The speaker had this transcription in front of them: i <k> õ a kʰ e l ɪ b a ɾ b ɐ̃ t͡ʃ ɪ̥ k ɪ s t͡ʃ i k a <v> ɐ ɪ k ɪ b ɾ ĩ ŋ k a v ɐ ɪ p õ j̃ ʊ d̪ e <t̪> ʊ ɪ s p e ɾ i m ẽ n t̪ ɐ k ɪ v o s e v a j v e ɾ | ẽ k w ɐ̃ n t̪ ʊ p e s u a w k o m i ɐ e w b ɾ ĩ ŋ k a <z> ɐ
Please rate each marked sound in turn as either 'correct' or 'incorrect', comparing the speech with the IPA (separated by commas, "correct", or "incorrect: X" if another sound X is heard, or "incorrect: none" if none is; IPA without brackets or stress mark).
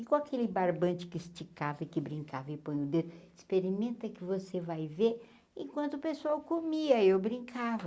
correct, correct, incorrect: d̪, incorrect: v